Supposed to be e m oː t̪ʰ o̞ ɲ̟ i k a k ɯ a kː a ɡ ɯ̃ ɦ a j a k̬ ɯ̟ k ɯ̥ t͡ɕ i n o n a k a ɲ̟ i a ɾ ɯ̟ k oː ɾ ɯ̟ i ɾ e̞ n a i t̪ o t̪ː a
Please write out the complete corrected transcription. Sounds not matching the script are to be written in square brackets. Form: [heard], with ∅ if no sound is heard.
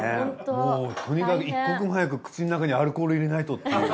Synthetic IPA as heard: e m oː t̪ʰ o̞ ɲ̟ i k a k ɯ [i] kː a [k] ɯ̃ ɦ a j a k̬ ɯ̟ k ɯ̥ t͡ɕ i n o n a k a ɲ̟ i a ɾ ɯ̟ k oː ɾ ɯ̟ i ɾ e̞ n a i t̪ o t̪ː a